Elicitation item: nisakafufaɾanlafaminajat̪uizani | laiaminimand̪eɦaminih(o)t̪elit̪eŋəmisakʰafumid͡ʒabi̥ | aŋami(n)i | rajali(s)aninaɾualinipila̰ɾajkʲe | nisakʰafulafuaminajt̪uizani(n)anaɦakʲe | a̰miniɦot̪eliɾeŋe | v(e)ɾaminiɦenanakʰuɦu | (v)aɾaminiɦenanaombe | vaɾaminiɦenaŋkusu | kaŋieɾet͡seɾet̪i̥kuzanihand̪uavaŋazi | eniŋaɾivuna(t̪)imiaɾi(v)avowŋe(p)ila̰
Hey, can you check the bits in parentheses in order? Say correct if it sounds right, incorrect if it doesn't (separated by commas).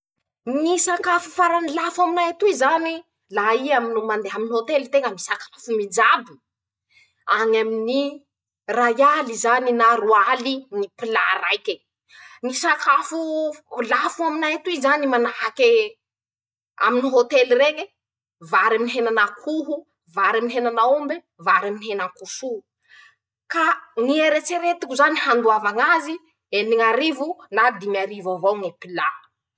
correct, correct, incorrect, incorrect, incorrect, correct, incorrect, correct, correct